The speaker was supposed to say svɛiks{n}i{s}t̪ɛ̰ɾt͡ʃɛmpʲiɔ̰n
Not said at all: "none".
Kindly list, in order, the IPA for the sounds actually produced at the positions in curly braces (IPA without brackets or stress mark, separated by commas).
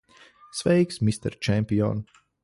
m, s